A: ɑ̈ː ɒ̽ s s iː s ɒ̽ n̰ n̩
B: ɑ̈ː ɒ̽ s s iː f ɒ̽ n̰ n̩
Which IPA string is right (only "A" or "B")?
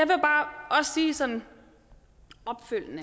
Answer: A